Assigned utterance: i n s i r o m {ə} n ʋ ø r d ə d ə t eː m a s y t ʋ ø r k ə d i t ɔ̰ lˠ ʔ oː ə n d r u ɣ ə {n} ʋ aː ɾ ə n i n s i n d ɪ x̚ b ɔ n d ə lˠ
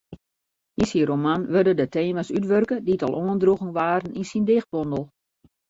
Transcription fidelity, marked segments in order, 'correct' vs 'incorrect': incorrect, incorrect

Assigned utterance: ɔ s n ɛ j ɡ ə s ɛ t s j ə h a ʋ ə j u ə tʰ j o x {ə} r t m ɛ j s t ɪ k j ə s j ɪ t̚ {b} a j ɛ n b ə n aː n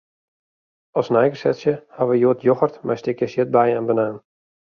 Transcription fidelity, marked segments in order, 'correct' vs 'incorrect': correct, correct

